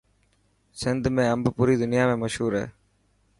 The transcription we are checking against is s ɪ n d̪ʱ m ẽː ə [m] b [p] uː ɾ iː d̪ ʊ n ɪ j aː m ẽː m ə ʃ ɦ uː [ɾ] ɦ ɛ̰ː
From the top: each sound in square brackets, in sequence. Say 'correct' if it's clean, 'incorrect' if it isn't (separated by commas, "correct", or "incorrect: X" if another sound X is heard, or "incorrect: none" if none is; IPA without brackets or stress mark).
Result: correct, correct, correct